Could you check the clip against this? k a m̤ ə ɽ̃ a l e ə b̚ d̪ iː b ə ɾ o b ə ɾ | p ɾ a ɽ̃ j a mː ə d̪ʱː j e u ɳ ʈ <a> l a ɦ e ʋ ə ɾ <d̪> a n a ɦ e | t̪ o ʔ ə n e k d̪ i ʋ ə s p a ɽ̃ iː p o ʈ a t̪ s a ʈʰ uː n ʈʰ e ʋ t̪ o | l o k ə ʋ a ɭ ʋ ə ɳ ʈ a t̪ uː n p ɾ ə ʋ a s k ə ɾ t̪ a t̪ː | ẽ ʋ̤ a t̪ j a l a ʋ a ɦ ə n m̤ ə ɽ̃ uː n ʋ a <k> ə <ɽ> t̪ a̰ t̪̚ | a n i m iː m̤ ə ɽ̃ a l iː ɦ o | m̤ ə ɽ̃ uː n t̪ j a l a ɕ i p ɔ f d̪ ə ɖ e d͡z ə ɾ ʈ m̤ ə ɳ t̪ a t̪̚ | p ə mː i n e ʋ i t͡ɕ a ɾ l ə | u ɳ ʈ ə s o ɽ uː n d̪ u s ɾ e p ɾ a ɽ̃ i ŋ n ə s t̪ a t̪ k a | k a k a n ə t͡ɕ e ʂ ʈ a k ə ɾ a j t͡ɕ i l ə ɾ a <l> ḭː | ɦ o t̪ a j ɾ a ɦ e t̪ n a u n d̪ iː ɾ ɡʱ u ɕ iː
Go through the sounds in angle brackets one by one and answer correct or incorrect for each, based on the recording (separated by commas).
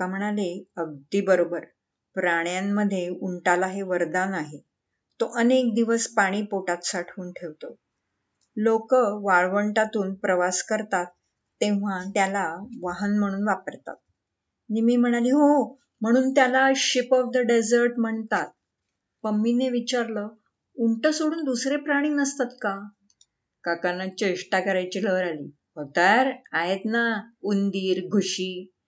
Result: correct, correct, incorrect, incorrect, correct